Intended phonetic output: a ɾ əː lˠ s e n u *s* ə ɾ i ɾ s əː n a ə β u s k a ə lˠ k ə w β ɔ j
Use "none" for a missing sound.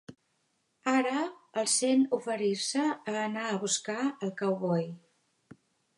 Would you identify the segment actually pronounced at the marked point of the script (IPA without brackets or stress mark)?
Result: f